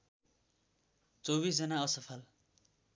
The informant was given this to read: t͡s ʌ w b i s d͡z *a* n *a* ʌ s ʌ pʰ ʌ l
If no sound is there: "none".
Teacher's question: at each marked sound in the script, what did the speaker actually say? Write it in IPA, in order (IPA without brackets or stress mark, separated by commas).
ʌ, a